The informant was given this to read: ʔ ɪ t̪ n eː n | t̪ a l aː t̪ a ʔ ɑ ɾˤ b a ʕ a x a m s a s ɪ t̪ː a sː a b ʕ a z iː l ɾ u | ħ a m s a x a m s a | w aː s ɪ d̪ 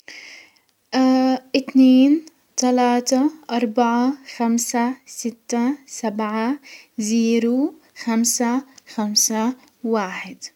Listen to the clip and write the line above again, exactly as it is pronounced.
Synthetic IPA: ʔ ɪ t̪ n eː n | t̪ a l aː t̪ a ʔ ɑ ɾˤ b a ʕ a x a m s a s ɪ t̪ː a s a b ʕ a z iː ɾ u | x a m s a x a m s a | w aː ħ ɪ d̪